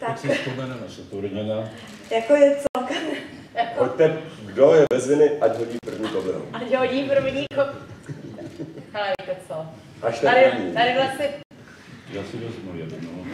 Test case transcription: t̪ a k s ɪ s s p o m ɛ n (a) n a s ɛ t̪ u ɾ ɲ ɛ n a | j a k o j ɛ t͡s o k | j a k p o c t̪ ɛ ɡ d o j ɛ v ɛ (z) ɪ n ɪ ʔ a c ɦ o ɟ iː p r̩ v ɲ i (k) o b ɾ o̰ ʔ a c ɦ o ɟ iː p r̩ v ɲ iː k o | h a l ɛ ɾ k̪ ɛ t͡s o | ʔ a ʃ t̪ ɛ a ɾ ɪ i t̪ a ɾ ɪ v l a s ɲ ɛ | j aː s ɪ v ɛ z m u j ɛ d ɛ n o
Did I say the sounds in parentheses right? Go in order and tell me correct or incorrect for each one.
incorrect: ɛ, correct, correct

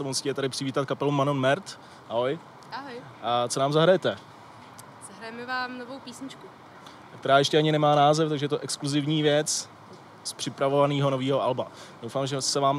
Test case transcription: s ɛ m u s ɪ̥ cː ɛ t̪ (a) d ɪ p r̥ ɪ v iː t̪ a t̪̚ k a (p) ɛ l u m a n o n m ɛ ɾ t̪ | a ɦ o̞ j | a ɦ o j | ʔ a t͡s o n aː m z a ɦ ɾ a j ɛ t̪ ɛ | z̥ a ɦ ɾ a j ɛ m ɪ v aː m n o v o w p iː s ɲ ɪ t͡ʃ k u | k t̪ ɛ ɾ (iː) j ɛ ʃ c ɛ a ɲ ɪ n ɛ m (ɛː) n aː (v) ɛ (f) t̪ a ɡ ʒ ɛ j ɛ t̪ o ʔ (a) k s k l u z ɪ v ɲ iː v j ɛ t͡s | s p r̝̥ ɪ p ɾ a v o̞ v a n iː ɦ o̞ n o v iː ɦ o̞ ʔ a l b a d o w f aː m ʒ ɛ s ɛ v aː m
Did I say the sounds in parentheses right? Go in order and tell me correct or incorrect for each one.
correct, correct, incorrect: aː, incorrect: aː, incorrect: z, correct, incorrect: ɛ

